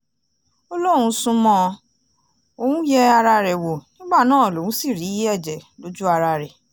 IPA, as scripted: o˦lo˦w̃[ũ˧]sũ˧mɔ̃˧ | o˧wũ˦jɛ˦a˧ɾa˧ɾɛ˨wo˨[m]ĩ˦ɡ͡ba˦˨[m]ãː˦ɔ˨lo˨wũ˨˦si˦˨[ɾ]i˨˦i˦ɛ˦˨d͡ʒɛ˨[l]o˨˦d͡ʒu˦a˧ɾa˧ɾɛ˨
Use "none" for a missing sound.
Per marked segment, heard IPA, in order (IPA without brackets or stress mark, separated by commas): ũ˧, n, n, ɾ, l